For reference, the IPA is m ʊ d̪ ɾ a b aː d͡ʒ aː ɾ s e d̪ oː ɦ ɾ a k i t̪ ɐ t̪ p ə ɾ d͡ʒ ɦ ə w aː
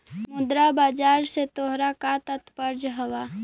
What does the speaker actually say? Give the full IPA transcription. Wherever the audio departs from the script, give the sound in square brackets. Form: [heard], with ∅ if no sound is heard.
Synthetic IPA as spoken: m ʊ d̪ ɾ a b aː d͡ʒ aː ɾ s e [t̪] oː ɦ ɾ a k [a] t̪ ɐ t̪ p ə ɾ d͡ʒ ɦ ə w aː